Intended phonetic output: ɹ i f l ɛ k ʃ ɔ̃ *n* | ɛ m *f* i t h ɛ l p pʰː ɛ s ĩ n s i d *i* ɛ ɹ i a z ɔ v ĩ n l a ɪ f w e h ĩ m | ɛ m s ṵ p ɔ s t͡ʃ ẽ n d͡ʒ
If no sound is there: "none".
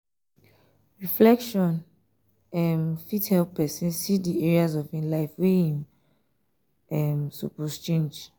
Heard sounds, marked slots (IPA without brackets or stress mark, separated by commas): n, f, i